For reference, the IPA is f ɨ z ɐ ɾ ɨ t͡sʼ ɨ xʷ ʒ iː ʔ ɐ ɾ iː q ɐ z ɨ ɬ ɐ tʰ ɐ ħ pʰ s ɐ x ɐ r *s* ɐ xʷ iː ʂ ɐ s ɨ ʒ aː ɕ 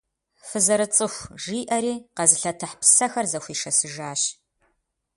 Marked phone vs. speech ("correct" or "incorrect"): incorrect